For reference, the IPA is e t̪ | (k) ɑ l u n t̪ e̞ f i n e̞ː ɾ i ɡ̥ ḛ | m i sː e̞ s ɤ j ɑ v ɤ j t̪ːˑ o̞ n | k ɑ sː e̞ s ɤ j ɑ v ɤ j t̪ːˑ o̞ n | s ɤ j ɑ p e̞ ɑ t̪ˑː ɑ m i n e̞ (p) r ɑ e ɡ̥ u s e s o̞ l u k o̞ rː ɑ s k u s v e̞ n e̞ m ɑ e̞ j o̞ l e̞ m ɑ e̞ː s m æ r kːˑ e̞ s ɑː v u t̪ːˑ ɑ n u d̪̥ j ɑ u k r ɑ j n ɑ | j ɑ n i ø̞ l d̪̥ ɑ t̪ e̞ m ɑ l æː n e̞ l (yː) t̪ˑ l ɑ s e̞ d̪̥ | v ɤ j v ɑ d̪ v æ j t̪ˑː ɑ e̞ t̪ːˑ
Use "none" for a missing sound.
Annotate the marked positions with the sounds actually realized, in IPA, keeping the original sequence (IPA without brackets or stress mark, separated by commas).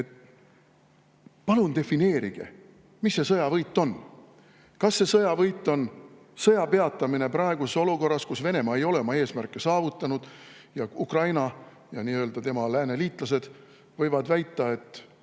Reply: p, p, iː